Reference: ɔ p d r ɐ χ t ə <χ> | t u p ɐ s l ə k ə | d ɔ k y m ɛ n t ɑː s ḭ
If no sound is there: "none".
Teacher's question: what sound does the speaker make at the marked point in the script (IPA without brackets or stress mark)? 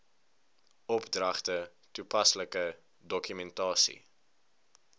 none